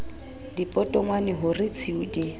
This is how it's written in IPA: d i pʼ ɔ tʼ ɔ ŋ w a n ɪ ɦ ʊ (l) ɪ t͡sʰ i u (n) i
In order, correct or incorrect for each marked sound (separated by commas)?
incorrect, incorrect